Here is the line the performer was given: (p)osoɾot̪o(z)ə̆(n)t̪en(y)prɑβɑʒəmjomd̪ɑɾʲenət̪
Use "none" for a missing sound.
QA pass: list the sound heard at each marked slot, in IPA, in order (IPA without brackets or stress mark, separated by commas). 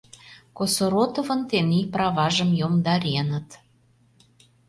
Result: k, v, n, i